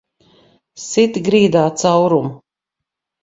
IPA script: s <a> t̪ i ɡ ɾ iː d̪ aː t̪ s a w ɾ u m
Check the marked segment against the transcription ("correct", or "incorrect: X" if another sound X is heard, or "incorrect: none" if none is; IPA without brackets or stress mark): incorrect: i